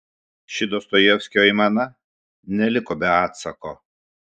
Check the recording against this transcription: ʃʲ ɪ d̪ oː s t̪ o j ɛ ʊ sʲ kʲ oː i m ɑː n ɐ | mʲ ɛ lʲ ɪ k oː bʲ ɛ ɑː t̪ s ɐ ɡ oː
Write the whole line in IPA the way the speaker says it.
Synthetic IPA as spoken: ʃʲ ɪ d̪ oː s t̪ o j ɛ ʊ sʲ kʲ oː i m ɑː n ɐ | nʲ ɛ lʲ ɪ k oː bʲ ɛ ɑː t̪ s ɐ k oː